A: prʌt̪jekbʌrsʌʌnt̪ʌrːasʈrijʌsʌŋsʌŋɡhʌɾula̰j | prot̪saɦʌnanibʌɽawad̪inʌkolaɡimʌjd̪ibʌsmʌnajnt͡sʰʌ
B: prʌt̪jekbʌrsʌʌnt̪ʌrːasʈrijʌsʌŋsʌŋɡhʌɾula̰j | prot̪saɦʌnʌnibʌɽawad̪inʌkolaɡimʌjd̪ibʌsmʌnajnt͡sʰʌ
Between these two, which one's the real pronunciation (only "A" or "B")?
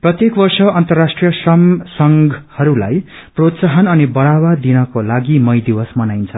B